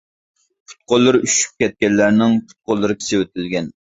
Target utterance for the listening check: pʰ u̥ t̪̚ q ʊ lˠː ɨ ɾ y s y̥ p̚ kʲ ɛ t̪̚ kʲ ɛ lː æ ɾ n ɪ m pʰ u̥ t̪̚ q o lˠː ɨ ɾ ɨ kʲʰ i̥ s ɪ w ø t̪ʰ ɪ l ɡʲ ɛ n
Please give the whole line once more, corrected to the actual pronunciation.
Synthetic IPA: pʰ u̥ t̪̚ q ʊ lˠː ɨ ɾ y ʃ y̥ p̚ kʲ ɛ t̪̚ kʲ ɛ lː æ ɾ n ɪ ŋ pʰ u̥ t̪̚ q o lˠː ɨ ɾ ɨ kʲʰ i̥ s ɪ w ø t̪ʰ ɪ l ɡʲ ɛ n